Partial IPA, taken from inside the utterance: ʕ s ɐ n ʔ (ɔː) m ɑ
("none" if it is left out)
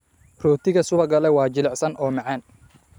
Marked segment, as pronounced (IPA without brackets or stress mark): ɔː